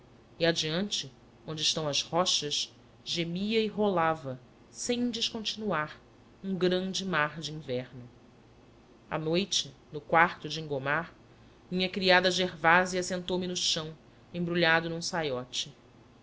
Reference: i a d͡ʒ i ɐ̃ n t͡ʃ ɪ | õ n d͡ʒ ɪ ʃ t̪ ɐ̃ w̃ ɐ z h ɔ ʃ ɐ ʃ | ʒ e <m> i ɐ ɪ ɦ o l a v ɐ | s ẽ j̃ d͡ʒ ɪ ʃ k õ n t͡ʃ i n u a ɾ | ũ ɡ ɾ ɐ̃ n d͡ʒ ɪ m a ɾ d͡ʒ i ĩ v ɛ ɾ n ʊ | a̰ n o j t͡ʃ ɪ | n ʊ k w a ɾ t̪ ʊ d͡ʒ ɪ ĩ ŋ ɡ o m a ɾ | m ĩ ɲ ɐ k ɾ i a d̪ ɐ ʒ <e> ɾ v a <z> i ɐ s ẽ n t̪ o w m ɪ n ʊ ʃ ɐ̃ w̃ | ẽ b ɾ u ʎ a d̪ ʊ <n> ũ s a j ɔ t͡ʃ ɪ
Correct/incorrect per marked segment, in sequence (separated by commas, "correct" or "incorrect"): correct, correct, correct, correct